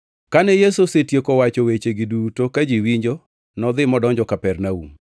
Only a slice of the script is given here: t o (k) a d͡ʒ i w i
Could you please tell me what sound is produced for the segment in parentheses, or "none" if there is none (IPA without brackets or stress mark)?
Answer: k